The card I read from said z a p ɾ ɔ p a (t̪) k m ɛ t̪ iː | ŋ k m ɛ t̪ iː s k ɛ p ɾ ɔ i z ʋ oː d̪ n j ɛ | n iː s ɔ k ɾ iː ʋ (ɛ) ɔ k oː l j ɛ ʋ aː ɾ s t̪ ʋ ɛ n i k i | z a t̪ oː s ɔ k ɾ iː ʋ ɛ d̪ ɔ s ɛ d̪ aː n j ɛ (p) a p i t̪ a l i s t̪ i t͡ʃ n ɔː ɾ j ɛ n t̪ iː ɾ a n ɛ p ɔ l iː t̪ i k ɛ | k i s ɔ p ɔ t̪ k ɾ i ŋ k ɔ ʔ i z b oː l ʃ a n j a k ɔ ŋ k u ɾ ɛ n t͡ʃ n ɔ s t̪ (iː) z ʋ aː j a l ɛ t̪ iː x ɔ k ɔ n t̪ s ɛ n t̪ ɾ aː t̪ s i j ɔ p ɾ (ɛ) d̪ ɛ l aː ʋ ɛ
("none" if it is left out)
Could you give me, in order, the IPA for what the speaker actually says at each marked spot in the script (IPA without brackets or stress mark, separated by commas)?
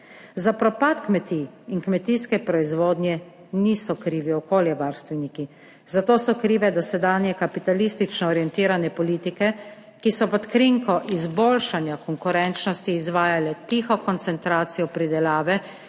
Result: t̪, i, k, iː, i